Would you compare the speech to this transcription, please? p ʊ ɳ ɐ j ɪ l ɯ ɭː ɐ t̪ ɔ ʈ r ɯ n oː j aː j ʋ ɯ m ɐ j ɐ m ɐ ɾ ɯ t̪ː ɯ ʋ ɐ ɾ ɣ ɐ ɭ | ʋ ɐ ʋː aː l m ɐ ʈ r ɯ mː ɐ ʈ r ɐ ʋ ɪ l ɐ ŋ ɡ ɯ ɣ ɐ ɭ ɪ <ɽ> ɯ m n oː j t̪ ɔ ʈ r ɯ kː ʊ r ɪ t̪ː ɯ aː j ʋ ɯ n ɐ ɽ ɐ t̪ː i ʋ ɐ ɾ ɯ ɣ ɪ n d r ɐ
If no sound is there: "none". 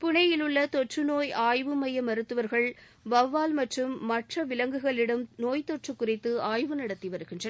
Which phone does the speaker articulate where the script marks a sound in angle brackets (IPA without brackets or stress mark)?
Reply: ɽ